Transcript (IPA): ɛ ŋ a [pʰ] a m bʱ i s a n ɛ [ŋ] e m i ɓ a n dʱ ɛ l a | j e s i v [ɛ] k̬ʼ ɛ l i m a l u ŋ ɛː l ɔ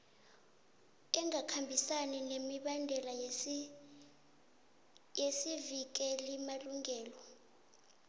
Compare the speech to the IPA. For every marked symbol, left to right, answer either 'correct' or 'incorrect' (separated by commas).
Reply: incorrect, incorrect, incorrect